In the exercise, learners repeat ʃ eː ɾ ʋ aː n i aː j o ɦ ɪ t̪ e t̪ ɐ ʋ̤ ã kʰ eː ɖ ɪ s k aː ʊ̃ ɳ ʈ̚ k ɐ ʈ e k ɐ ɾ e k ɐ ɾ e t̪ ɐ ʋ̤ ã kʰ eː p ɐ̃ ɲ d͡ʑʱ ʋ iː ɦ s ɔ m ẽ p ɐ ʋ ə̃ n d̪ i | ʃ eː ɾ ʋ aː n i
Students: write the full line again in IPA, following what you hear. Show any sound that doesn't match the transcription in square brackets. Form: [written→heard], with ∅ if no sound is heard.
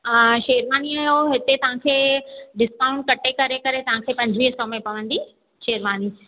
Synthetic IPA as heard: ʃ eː ɾ ʋ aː n i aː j o ɦ ɪ t̪ e t̪ ɐ ʋ̤ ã kʰ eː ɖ ɪ s k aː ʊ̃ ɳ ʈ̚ k ɐ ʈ e k ɐ ɾ e k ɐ ɾ e t̪ ɐ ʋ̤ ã kʰ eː p ɐ̃ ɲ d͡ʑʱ ʋ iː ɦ s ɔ m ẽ p ɐ ʋ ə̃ n d̪ i | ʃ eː ɾ ʋ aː n i